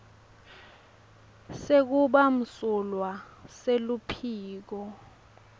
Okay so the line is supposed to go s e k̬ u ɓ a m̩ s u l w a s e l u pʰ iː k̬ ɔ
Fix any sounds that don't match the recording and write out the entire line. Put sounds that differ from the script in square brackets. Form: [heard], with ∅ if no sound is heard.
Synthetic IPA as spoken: s e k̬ u ɓ a m̩ s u l w a s e l u pʰ iː k̬ ɔ